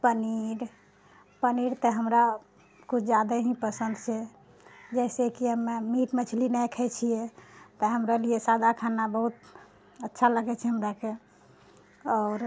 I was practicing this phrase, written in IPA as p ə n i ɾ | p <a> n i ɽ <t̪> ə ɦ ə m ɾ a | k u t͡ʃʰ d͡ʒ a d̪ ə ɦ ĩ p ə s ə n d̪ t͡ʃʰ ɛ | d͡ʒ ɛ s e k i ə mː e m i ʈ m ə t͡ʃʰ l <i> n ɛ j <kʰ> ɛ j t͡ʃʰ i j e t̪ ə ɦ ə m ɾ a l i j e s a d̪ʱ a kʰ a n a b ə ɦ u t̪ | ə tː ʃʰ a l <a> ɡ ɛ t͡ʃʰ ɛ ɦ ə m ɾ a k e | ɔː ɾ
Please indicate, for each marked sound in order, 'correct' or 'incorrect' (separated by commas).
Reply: incorrect, correct, correct, correct, incorrect